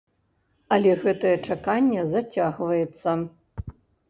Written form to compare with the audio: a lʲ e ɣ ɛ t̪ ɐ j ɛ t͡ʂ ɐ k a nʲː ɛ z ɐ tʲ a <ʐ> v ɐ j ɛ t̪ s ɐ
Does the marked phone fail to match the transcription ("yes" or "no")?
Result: yes